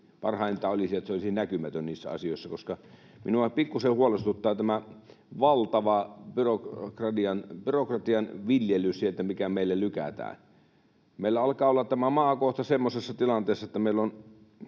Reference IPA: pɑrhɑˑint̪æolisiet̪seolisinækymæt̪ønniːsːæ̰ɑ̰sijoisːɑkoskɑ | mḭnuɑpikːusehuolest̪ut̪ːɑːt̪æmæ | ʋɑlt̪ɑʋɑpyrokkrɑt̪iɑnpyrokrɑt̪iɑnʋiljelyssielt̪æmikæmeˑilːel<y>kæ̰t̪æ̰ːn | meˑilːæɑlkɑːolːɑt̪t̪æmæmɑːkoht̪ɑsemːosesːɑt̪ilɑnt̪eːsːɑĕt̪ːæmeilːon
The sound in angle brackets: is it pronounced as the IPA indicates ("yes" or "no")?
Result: yes